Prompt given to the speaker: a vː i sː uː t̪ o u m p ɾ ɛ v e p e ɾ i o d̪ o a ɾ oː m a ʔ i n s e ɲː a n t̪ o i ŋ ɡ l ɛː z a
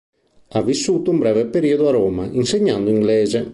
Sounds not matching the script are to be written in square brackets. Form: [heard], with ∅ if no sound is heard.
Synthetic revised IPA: a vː i sː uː t̪ o u m [b] ɾ ɛ v e p e ɾ i o d̪ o a ɾ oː m a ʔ i n s e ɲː a n [d̪] o i ŋ ɡ l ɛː z [e]